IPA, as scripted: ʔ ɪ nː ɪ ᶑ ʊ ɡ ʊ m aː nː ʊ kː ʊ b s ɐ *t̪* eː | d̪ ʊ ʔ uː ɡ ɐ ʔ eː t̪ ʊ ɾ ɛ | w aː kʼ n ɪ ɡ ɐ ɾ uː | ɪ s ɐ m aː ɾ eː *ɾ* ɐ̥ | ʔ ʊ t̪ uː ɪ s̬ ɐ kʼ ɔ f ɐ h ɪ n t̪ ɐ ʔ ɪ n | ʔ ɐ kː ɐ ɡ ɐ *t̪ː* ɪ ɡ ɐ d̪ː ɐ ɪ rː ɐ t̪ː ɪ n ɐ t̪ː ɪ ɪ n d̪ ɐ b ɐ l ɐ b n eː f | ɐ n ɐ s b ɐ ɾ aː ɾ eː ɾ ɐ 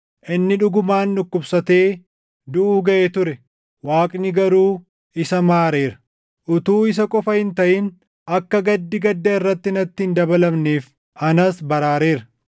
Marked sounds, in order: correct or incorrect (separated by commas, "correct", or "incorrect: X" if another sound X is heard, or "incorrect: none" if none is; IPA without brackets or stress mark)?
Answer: correct, correct, incorrect: d̪ː